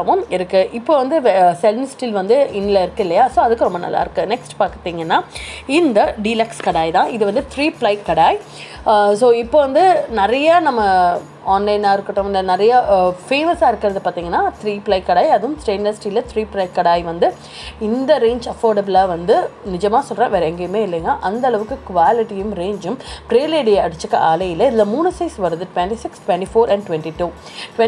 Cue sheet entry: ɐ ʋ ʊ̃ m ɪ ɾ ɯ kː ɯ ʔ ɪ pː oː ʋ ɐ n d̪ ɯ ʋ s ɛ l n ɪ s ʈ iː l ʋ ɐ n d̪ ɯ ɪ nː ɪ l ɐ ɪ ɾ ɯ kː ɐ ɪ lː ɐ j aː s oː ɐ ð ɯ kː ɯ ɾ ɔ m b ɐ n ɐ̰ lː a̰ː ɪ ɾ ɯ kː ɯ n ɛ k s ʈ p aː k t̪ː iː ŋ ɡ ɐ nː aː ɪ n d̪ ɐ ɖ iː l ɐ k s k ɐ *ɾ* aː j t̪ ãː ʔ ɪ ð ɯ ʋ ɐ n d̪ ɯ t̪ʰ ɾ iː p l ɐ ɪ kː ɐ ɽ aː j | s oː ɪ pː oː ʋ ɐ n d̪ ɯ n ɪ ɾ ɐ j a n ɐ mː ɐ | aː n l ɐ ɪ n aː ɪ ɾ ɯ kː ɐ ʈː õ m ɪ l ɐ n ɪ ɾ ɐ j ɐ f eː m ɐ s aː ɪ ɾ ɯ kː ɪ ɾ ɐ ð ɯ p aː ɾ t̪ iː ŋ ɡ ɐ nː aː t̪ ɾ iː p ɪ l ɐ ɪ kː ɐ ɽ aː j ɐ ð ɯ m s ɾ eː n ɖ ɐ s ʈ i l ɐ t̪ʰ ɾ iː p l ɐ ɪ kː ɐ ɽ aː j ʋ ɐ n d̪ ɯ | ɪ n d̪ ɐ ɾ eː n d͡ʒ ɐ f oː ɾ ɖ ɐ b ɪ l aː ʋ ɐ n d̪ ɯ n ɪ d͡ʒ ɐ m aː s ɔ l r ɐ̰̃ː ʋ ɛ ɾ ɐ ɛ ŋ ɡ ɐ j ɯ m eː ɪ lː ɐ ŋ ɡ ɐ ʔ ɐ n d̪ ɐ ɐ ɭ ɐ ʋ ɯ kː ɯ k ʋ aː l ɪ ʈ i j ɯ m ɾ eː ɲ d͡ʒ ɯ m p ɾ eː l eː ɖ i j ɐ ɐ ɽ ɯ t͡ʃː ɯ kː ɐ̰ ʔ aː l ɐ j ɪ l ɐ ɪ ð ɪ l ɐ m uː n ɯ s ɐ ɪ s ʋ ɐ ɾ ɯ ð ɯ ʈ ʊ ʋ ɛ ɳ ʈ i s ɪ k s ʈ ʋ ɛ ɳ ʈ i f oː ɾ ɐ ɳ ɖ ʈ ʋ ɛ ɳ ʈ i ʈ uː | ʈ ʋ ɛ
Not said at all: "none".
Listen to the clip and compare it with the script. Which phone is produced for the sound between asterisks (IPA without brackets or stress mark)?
ɽ